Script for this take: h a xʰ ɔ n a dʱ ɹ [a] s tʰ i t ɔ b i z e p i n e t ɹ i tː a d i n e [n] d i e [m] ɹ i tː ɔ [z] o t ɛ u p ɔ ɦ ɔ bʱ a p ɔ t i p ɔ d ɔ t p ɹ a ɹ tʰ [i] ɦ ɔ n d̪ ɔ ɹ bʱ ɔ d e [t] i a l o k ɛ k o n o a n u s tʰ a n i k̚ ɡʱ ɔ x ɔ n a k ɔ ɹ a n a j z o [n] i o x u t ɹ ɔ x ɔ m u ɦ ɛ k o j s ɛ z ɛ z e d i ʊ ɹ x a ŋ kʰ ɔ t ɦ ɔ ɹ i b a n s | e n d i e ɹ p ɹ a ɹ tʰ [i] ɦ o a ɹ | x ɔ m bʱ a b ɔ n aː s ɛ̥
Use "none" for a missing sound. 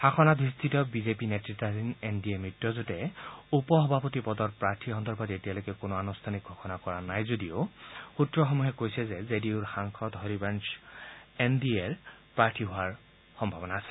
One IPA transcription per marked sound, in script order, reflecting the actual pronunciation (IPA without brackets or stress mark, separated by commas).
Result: i, n, m, z, i, t, d, i